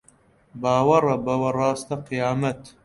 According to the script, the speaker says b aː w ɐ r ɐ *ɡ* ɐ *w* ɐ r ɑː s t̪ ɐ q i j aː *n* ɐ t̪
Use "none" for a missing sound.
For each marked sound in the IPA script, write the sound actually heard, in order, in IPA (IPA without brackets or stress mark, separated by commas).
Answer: b, w, m